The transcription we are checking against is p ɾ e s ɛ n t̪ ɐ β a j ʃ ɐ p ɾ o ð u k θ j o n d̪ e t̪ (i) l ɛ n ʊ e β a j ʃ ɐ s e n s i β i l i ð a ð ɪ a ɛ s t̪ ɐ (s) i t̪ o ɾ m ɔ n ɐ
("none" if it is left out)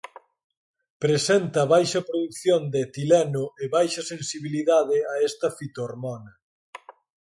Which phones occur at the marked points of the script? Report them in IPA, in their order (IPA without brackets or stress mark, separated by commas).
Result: i, f